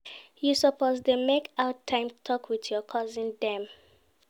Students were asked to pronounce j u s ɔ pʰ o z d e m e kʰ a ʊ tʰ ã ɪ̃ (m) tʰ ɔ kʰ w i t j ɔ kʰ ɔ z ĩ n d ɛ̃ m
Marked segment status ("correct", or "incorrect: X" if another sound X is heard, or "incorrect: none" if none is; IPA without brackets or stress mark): correct